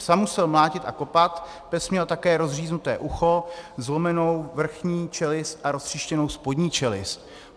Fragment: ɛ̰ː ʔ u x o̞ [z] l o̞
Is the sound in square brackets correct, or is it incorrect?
correct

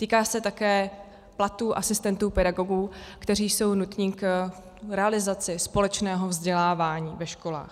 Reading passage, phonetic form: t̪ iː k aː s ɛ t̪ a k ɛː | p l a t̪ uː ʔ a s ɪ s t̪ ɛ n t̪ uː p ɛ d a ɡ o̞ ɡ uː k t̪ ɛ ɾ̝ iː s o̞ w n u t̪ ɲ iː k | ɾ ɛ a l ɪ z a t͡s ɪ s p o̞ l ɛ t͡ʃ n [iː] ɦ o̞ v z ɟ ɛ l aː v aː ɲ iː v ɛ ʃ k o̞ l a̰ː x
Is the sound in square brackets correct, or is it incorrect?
incorrect: ɛː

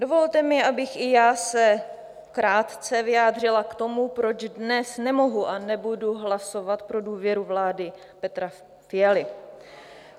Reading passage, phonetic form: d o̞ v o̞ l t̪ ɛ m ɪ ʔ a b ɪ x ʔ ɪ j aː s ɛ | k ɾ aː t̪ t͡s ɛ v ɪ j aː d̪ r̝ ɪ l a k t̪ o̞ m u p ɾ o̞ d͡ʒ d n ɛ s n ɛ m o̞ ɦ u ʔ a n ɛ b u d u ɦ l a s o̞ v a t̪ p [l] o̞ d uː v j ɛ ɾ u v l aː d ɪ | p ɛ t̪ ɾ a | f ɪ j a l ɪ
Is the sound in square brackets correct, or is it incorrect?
incorrect: ɾ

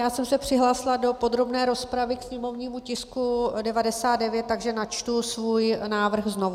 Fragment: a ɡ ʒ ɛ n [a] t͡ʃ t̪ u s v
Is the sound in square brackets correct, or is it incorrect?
correct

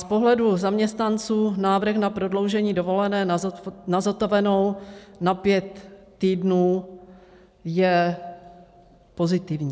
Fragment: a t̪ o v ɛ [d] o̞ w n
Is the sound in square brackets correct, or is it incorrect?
incorrect: n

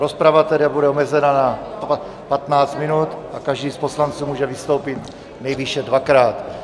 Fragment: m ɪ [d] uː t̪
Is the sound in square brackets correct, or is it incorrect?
incorrect: n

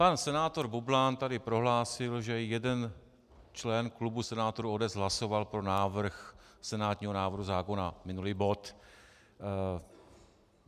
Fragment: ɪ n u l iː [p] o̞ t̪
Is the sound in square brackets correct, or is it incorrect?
incorrect: b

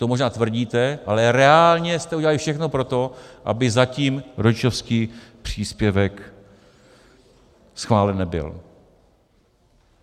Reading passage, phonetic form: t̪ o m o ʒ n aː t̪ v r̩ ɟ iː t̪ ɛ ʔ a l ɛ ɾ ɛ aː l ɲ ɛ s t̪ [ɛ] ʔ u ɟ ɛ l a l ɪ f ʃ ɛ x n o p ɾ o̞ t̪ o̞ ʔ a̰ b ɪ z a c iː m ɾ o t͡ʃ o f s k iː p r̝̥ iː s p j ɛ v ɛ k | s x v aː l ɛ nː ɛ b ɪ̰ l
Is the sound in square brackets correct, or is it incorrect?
correct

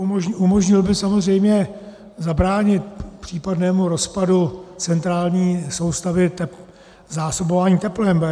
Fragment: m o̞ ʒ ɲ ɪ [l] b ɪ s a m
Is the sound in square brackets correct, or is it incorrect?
correct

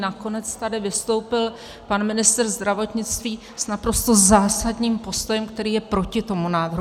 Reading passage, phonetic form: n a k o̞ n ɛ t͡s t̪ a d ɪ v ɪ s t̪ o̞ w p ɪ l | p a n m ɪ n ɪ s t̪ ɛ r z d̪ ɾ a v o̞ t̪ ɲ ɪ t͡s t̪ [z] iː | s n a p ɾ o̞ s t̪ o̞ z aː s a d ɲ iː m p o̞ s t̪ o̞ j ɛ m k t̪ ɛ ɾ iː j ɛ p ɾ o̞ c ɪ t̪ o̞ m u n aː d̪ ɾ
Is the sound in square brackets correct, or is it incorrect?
incorrect: v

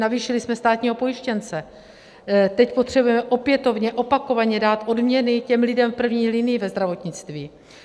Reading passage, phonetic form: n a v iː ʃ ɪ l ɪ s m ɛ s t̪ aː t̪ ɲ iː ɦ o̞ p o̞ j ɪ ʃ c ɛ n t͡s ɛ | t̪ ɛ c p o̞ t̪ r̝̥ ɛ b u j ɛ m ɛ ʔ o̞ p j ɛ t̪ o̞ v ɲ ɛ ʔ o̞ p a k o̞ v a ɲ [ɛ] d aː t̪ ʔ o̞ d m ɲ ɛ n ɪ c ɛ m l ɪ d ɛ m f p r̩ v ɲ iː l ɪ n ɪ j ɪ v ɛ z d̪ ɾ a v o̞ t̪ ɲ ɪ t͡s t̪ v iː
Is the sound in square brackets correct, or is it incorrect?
correct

